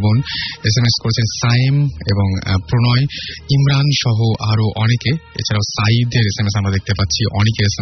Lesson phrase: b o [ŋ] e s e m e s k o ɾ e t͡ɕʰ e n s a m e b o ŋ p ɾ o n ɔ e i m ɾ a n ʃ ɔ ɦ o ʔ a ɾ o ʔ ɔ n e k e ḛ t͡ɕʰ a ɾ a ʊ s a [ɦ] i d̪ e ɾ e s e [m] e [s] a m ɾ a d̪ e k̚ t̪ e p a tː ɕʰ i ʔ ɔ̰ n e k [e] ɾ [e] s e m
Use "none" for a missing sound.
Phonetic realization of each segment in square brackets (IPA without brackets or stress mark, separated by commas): n, none, m, s, e, e